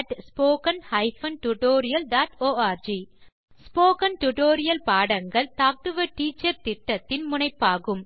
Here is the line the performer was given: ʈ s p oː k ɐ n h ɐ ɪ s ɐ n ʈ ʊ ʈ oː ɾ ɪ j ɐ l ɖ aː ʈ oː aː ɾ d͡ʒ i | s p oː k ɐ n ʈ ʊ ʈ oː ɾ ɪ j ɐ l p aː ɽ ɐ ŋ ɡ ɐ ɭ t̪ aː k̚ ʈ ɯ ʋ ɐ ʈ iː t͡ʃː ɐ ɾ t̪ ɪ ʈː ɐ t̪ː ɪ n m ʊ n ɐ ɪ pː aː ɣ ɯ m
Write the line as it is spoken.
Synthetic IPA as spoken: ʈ s p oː k ɐ n h ɐ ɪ f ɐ n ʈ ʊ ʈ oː ɾ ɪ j ɐ l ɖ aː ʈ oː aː ɾ d͡ʒ i | s p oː k ɐ n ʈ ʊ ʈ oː ɾ ɪ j ɐ l p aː ɽ ɐ ŋ ɡ ɐ ɭ t̪ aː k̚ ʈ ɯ ʋ ɐ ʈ iː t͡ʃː ɐ ɾ t̪ ɪ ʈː ɐ t̪ː ɪ n m ʊ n ɐ ɪ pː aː ɣ ɯ m